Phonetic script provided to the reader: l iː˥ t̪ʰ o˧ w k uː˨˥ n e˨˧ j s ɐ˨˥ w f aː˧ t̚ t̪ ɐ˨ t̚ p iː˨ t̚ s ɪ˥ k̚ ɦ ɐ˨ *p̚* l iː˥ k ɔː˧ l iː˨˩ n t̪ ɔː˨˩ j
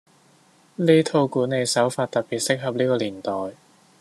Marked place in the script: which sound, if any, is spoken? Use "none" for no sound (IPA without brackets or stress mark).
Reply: p̚